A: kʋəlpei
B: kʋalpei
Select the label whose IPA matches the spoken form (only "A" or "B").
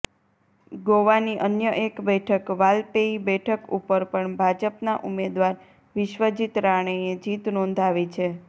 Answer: B